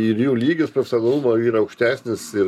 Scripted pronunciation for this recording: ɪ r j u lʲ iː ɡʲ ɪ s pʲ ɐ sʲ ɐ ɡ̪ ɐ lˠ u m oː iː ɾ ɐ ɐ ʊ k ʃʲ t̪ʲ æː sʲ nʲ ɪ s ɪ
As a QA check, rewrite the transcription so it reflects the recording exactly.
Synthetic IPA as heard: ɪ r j uː lʲ iː ɡʲ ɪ s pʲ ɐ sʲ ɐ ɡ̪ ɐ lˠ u m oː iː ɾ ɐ ɐ ʊ k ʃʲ t̪ʲ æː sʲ nʲ ɪ s ɪ